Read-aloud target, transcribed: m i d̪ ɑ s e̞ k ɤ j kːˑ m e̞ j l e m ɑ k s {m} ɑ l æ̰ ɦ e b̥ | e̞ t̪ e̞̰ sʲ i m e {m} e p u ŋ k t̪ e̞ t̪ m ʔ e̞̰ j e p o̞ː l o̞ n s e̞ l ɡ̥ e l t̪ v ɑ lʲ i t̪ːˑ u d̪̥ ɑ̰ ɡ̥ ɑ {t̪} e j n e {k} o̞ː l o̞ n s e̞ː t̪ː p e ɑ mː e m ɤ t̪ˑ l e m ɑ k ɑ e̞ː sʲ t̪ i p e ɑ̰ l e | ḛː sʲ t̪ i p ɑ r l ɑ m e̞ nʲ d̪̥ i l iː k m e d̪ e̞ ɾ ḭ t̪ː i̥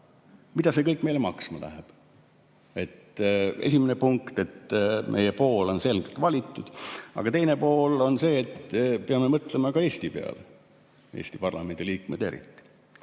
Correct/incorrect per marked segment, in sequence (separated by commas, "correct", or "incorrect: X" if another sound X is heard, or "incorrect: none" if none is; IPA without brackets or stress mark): correct, incorrect: n, correct, incorrect: p